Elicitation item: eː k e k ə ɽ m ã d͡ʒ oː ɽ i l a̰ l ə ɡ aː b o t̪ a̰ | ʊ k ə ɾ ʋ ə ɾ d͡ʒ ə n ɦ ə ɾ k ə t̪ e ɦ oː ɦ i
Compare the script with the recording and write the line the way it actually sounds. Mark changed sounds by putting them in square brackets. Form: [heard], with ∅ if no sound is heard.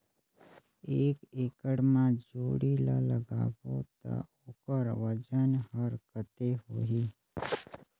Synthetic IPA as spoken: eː k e k ə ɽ m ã d͡ʒ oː ɽ i l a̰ l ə ɡ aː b o t̪ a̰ | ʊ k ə ɾ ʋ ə [∅] d͡ʒ ə n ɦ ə ɾ k ə t̪ e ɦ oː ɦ i

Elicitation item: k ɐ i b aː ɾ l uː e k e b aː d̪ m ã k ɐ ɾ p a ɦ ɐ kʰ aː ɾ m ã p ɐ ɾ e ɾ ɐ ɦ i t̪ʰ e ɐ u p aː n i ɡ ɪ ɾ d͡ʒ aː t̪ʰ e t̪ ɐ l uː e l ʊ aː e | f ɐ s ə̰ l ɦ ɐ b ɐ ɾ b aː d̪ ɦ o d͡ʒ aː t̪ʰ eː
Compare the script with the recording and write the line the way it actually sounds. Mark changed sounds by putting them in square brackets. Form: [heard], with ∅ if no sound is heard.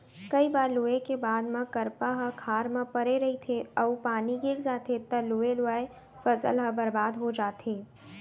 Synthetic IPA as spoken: k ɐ i b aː ɾ l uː e k e b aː d̪ m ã k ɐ ɾ p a ɦ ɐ kʰ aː ɾ m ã p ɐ ɾ e ɾ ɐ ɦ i t̪ʰ e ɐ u p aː n i ɡ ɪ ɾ d͡ʒ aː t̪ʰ e t̪ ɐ l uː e l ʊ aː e | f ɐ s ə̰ l ɦ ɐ b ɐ ɾ b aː d̪ ɦ o d͡ʒ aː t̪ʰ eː

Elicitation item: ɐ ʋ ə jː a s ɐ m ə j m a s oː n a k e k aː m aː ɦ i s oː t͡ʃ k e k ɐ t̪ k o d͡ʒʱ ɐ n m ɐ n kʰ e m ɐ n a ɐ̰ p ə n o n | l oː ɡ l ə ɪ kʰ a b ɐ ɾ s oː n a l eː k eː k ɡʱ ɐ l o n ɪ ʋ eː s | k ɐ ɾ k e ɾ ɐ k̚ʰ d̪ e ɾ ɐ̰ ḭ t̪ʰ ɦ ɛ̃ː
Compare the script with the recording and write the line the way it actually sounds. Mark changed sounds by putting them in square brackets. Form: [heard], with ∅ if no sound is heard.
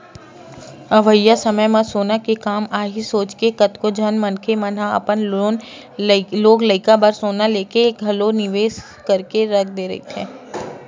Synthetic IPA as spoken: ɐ ʋ ə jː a s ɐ m ə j m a s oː n a k e k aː m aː ɦ i s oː t͡ʃ k e k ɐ t̪ k o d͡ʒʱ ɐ n m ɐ n kʰ e m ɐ n a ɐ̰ p ə n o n | l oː ɡ l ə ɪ [k] a b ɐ ɾ s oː n a l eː k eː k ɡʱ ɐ l o n ɪ ʋ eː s | k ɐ ɾ k e ɾ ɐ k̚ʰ d̪ e ɾ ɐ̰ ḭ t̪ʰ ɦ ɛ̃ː

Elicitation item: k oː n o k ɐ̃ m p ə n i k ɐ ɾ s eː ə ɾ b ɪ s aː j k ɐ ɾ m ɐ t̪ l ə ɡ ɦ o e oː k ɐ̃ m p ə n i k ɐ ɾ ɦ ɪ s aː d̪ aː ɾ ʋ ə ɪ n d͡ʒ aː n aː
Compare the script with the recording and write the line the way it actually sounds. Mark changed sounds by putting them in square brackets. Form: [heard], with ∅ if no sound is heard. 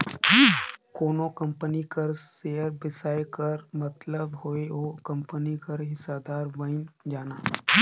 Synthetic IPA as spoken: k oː n o k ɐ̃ m p ə n i k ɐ ɾ s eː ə ɾ b ɪ s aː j k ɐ ɾ m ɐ t̪ l ə [b] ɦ o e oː k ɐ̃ m p ə n i k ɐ ɾ ɦ ɪ s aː d̪ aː ɾ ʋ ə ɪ n d͡ʒ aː n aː

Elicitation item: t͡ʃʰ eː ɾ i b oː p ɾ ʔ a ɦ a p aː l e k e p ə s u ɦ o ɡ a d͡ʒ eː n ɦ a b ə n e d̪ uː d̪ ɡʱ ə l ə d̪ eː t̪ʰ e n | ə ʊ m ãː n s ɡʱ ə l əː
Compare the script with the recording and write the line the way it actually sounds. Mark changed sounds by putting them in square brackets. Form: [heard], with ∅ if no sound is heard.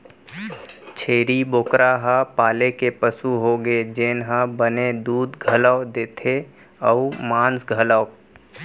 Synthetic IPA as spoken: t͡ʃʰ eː ɾ i b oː [k] ɾ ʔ a ɦ a p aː l e k e p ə s u ɦ o ɡ [e] d͡ʒ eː n ɦ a b ə n e d̪ uː d̪ ɡʱ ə l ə d̪ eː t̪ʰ e [∅] | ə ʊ m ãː n s ɡʱ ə l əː

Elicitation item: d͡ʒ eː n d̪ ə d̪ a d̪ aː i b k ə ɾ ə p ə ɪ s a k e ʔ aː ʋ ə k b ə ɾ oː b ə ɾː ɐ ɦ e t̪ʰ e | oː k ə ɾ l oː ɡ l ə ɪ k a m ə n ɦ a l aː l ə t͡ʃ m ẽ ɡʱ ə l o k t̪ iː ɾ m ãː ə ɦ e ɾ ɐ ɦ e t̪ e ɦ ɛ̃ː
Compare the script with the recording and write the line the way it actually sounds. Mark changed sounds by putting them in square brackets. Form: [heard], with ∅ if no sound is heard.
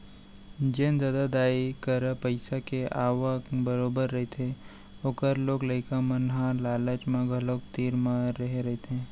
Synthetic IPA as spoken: d͡ʒ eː n d̪ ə d̪ a d̪ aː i [∅] k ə ɾ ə p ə ɪ s a k e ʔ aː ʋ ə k b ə ɾ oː b ə ɾː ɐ ɦ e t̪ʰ e | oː k ə ɾ l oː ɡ l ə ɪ k a m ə n ɦ a l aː l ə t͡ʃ m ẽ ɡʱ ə l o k t̪ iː ɾ m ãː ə ɦ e ɾ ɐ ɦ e t̪ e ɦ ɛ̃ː

